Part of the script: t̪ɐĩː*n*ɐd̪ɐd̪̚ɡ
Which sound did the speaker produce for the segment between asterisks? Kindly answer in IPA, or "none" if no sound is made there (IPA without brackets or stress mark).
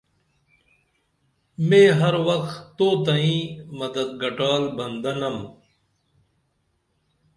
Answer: m